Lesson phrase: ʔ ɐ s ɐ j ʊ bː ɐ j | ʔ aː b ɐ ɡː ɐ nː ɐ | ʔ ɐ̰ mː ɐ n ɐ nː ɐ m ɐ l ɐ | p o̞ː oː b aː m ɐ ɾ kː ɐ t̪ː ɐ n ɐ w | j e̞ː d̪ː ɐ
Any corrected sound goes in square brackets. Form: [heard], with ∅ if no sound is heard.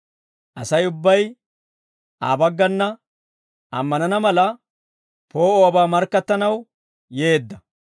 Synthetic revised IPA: ʔ ɐ s ɐ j ʊ bː ɐ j | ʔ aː b ɐ ɡː ɐ nː ɐ | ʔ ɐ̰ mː ɐ n ɐ [n] ɐ m ɐ l ɐ | p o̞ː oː b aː m ɐ ɾ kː ɐ t̪ː ɐ n ɐ w | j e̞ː d̪ː ɐ